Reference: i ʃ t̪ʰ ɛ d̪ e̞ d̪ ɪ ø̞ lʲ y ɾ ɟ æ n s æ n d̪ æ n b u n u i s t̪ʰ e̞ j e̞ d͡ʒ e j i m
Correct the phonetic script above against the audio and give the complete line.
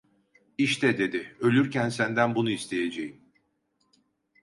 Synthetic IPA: i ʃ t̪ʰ ɛ d̪ e̞ d̪ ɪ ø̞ lʲ y ɾ c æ n s æ n d̪ æ n b u n u i s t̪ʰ e̞ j e̞ d͡ʒ e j i m